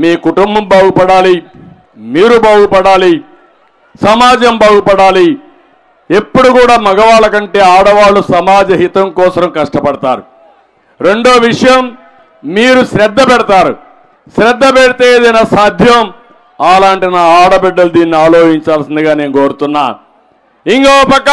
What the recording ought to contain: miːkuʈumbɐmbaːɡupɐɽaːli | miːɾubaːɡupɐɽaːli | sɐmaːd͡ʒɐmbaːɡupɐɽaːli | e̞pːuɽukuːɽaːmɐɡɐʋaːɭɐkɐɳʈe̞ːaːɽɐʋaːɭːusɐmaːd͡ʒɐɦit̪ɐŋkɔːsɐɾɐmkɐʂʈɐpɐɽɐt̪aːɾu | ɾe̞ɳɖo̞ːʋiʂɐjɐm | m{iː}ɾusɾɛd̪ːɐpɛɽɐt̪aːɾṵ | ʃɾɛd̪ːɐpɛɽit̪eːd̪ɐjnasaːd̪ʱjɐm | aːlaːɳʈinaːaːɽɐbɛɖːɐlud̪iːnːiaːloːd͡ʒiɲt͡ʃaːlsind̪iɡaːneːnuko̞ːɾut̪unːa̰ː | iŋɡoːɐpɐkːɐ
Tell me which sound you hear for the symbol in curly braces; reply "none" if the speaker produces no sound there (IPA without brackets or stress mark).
iː